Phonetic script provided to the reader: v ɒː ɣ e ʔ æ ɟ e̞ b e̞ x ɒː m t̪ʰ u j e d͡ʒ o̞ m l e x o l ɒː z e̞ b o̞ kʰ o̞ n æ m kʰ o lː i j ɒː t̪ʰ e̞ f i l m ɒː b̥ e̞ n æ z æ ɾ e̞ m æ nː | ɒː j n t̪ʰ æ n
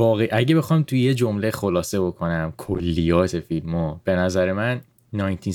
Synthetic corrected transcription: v ɒː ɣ e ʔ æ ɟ e̞ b e̞ x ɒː m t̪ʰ u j e d͡ʒ o̞ m l e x o l ɒː s e̞ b o̞ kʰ o̞ n æ m kʰ o lː i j ɒː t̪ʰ e̞ f i l m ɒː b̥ e̞ n æ z æ ɾ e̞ m æ nː | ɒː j n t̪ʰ i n